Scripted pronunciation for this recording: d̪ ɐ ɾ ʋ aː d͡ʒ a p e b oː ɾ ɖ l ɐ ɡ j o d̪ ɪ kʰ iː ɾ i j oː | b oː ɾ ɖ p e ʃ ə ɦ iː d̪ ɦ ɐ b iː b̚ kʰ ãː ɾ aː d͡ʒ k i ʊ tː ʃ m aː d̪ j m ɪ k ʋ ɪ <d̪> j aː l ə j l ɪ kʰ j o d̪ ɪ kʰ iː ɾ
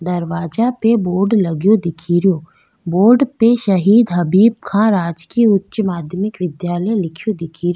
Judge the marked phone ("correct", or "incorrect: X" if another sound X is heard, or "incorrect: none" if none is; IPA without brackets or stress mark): correct